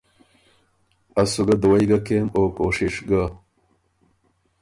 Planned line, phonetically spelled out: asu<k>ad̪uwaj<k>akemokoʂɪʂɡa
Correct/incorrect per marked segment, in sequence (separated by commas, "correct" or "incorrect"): incorrect, incorrect